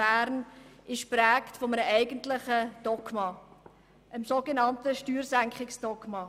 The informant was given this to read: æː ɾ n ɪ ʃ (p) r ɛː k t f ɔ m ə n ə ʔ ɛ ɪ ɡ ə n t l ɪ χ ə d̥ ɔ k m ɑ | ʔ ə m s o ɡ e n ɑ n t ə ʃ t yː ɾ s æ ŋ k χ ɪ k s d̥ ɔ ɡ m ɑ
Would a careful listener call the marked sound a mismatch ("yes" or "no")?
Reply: no